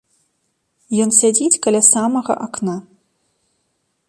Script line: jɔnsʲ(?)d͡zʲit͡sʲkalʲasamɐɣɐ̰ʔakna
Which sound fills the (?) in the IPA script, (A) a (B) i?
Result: A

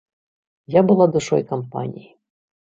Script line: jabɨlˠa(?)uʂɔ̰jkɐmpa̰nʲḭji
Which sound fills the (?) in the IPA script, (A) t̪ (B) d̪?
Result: B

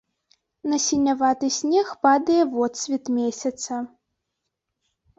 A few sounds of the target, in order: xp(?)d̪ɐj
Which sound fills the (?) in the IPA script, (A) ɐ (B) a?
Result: B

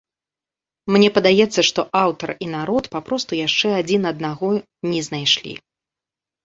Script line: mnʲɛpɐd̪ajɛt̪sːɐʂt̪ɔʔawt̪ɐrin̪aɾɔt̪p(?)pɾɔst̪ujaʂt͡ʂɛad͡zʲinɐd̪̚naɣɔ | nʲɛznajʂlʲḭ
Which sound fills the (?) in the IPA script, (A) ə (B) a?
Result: B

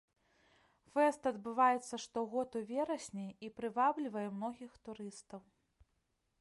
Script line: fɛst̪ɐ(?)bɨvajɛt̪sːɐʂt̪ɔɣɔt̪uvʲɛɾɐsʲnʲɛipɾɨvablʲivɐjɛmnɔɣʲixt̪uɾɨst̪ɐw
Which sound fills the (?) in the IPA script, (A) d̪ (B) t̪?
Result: A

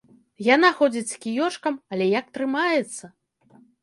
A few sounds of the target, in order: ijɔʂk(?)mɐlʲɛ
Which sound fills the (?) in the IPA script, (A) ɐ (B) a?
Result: A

